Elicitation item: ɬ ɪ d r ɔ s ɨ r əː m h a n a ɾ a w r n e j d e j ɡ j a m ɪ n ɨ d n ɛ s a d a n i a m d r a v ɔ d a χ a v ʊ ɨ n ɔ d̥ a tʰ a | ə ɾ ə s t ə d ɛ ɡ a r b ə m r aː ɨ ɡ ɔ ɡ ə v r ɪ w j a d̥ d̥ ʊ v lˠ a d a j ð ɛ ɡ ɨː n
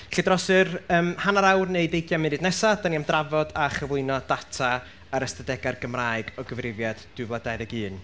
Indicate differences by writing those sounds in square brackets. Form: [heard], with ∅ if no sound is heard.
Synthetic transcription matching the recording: ɬ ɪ d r ɔ s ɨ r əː m h a n a ɾ a w r n e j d e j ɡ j a m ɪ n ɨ d n ɛ s a d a n i a m d r a v ɔ d a χ [ə] v ʊ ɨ n ɔ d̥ a tʰ a | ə ɾ ə s t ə d ɛ ɡ a r [ɡ] ə m r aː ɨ ɡ ɔ ɡ ə v r ɪ [v] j a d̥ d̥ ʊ v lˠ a d a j ð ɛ ɡ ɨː n